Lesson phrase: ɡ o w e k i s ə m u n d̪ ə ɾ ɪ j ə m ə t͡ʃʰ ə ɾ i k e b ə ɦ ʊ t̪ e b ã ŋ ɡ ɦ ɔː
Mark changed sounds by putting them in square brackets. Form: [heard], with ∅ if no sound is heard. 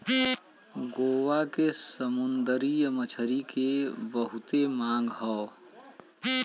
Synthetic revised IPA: ɡ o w [a] k [e] s ə m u n d̪ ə ɾ [i] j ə m ə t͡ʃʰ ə ɾ i k e b ə ɦ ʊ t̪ e [m] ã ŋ ɡ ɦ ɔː